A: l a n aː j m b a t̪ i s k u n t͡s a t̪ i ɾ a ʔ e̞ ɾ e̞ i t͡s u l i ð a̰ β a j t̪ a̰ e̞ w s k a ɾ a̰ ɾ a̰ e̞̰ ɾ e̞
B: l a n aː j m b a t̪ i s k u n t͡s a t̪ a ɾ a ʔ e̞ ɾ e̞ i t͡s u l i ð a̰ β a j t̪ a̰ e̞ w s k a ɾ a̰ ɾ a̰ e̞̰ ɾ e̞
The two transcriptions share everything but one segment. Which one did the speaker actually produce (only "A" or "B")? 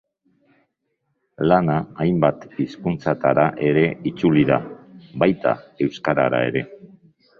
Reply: B